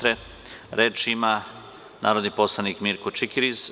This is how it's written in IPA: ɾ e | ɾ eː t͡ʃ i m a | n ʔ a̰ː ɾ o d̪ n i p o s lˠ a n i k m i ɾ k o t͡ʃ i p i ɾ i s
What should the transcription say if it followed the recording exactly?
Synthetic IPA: ɾ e | ɾ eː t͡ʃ i m a | n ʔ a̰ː ɾ o d̪ n i p o s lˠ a n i k m i ɾ k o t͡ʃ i k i ɾ i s